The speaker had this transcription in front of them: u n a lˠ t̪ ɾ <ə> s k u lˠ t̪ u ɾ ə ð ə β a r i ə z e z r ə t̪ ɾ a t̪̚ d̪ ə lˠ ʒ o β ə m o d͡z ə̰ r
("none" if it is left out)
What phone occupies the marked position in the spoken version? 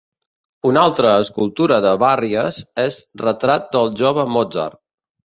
əː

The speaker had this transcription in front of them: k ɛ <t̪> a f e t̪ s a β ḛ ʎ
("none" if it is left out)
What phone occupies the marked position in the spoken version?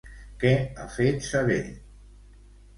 none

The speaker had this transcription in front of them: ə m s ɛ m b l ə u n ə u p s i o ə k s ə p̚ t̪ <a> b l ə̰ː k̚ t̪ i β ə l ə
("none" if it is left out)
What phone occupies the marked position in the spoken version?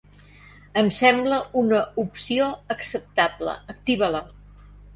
a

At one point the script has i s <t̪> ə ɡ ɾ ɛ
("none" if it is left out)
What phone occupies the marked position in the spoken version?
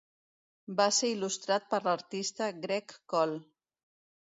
t̪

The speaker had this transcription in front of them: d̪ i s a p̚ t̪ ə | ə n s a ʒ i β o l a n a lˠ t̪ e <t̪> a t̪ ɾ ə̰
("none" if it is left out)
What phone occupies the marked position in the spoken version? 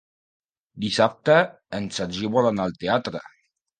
none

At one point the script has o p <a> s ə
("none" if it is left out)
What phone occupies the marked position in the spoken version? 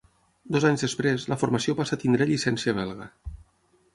a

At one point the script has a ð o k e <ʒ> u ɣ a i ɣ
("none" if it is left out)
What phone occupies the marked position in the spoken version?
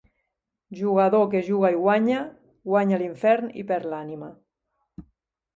ʒ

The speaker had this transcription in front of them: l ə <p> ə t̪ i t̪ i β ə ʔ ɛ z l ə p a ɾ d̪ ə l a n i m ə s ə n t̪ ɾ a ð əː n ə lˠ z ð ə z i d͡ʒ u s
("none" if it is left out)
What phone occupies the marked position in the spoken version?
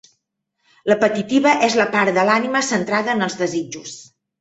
p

